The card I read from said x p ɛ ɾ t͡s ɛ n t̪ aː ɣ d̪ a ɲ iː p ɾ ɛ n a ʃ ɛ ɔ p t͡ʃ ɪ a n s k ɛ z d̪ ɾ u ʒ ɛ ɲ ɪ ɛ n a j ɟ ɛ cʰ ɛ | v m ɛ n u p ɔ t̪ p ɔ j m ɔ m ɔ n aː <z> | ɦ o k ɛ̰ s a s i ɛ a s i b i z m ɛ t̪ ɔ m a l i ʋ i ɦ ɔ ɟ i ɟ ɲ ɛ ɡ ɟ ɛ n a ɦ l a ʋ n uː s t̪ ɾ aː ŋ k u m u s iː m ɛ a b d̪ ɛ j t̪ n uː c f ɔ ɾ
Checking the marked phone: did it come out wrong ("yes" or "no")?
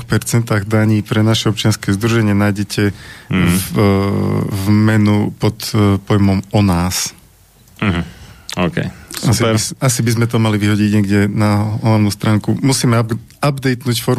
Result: yes